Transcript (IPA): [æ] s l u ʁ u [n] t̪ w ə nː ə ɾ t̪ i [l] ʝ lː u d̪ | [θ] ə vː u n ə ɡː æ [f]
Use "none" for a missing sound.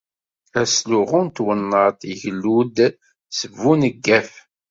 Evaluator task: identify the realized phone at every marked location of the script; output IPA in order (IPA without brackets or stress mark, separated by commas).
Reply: æ, n, none, s, f